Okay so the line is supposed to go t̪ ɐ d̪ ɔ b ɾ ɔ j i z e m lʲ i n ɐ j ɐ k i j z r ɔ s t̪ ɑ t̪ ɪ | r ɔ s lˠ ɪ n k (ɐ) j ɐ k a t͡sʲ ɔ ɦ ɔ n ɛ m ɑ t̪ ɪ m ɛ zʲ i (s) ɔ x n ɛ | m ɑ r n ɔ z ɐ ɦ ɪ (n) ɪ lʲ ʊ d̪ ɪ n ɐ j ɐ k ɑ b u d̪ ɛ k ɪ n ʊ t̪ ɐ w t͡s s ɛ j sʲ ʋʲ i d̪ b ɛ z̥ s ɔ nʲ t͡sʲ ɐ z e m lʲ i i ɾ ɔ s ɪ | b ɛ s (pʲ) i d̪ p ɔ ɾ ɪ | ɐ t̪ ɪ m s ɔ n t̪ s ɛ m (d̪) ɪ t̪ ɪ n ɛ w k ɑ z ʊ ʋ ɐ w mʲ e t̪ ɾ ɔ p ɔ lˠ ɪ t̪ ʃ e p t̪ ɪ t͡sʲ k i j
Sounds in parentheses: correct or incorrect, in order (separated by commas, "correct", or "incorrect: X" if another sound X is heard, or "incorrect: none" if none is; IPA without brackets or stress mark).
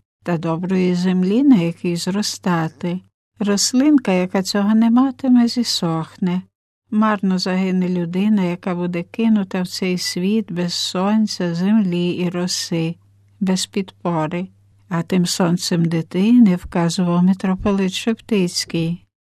correct, correct, correct, correct, correct